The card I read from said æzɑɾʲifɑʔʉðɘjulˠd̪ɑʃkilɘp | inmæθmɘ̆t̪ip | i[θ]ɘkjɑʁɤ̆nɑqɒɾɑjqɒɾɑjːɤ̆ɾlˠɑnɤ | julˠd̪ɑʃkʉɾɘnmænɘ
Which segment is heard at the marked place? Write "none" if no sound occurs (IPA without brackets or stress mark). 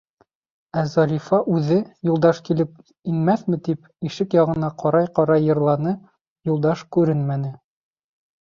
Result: ʃ